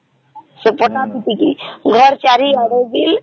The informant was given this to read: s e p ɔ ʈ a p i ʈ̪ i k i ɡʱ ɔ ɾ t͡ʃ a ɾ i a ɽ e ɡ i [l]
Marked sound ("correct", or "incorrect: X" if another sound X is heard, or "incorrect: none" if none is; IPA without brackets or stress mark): correct